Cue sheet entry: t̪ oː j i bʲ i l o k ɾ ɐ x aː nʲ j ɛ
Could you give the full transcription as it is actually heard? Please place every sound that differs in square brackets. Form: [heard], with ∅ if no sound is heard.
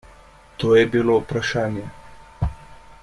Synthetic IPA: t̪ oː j [ɛ] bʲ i l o [p] ɾ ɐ [ʃ] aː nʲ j ɛ